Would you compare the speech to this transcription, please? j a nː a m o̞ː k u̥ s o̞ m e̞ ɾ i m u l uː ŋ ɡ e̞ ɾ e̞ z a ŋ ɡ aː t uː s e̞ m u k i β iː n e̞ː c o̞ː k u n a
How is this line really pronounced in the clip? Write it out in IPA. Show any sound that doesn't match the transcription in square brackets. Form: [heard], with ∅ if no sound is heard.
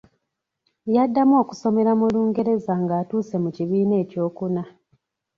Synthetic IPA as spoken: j a [dː] a m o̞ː k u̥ s o̞ m e̞ ɾ [a] m u l uː ŋ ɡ e̞ ɾ e̞ z a ŋ ɡ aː t uː s e̞ m u [c] i β iː n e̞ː c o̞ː k u n a